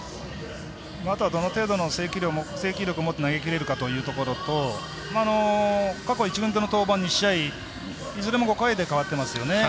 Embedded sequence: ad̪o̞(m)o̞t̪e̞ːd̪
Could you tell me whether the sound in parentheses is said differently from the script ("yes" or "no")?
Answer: yes